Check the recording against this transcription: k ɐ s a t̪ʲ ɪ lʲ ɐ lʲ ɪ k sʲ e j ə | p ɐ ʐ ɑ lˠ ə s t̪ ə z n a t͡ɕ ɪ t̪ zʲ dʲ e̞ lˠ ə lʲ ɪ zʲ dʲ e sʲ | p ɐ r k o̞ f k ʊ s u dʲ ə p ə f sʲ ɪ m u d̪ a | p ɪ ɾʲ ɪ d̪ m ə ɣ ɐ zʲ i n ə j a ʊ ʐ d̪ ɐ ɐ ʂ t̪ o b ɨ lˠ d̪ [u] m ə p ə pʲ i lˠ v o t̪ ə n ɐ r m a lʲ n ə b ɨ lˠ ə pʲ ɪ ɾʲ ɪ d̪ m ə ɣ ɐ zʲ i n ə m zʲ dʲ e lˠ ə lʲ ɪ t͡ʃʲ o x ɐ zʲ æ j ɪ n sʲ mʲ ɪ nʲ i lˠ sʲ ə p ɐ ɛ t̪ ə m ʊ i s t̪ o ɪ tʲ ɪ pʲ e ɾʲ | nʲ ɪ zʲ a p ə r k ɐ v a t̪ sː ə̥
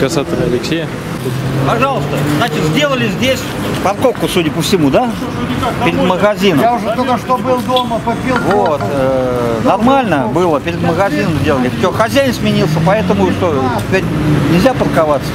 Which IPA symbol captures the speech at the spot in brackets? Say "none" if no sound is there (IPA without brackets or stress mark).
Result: o